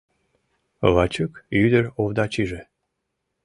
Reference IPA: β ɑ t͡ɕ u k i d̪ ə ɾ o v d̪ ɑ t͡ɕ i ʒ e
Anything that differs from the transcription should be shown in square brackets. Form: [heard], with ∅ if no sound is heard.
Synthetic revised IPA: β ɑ t͡ɕ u k [y] d̪ ə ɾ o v d̪ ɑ t͡ɕ i ʒ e